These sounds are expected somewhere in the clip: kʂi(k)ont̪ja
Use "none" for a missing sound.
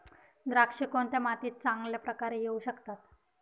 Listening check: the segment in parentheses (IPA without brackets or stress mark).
k